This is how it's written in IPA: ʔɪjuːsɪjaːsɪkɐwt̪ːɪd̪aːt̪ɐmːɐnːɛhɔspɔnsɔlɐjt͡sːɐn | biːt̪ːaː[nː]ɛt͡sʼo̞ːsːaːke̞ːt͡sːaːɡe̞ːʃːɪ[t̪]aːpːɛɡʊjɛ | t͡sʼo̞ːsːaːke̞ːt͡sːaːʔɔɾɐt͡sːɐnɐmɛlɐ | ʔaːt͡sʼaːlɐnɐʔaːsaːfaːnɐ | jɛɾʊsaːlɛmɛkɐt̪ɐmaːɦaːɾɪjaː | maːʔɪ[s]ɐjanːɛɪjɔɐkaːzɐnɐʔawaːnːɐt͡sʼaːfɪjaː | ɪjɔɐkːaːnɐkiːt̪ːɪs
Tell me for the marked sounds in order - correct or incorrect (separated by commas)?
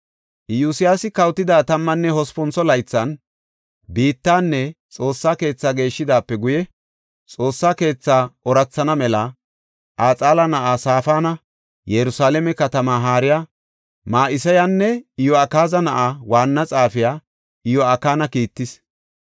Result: correct, incorrect, correct